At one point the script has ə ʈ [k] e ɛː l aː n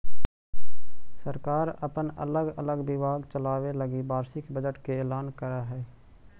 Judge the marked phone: correct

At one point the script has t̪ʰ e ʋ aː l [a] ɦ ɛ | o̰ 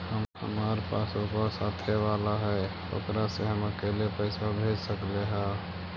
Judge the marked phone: correct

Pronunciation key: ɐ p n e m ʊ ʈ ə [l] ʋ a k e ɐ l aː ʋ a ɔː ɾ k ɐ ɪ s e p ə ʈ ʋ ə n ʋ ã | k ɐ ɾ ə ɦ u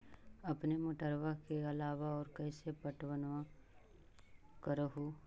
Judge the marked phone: incorrect: ɾ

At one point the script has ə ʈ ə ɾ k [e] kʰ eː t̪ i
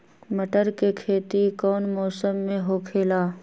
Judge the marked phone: correct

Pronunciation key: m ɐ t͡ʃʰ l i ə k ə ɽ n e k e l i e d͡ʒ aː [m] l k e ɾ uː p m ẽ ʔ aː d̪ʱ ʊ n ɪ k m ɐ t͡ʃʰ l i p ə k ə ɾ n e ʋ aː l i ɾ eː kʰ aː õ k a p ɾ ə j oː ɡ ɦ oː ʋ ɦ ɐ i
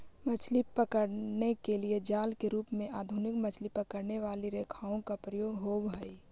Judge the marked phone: incorrect: none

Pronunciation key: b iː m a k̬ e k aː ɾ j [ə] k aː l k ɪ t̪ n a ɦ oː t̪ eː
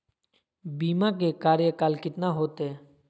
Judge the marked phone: correct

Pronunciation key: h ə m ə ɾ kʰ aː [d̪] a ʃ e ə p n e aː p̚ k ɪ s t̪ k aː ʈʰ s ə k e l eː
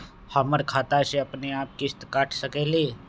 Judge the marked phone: incorrect: t̪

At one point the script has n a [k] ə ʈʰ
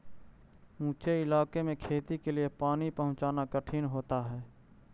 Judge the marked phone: correct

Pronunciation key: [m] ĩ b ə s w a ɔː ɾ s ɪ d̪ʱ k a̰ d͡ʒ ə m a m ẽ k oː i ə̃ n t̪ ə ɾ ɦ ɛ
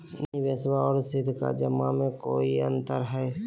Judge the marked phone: incorrect: n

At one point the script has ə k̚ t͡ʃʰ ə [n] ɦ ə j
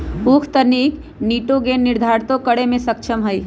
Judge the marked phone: incorrect: m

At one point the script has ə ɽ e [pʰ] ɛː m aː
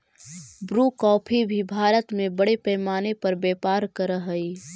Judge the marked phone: incorrect: p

